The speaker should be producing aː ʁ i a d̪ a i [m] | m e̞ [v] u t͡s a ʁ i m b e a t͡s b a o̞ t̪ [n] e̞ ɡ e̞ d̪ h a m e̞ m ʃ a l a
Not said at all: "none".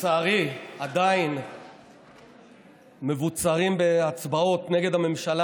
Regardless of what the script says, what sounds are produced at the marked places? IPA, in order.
n, v, n

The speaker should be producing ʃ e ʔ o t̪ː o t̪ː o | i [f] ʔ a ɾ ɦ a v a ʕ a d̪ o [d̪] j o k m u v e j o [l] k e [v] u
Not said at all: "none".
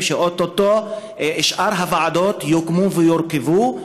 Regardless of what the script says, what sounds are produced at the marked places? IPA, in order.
ʃ, t̪, ɾ, v

